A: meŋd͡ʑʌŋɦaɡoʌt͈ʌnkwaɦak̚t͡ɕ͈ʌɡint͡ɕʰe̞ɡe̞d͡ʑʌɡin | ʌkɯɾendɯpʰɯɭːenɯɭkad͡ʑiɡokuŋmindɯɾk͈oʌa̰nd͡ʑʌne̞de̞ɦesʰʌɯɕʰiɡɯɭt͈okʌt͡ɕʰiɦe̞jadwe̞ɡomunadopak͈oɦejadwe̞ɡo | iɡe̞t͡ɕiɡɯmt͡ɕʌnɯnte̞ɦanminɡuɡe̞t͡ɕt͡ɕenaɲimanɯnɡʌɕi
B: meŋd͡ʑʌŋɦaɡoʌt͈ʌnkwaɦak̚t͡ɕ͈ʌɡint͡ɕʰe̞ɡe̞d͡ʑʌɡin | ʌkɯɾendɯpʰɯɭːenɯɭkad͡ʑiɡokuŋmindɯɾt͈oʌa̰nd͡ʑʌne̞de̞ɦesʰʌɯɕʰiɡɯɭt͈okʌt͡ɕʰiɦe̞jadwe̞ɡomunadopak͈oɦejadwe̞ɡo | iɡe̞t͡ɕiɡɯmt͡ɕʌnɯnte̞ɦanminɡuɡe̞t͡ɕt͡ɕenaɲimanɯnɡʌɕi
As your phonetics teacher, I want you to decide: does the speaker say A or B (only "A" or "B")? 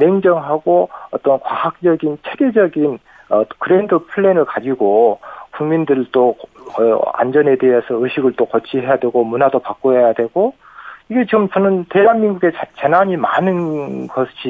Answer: B